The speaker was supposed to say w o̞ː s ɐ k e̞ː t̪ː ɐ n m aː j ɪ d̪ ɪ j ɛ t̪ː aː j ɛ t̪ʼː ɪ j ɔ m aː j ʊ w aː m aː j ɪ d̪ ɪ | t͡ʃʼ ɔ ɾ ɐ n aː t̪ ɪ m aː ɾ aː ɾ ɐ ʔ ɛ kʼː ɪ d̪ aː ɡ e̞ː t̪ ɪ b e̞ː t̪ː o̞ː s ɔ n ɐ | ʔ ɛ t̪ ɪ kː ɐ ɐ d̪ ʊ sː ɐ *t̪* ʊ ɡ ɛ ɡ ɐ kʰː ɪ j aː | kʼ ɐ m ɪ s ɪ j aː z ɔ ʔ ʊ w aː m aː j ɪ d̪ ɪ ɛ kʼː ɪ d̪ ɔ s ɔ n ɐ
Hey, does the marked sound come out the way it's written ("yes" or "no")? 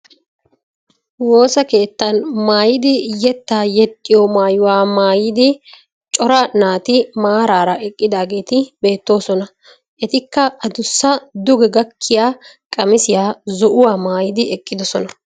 no